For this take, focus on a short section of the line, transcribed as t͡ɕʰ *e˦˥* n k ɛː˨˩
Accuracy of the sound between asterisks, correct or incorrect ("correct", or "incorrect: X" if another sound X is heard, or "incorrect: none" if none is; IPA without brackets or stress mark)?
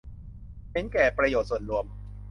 correct